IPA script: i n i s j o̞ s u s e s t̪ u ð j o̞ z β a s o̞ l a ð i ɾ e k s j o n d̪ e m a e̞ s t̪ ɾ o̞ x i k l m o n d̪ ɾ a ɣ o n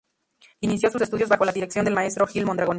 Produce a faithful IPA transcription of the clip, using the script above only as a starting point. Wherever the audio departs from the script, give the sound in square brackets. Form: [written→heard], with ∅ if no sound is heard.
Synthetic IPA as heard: i n i s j o̞ s u s e s t̪ u ð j o̞ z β a [s→x] o̞ l a ð i ɾ e k s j o n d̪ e m a e̞ s t̪ ɾ o̞ x i [k→∅] l m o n d̪ ɾ a ɣ o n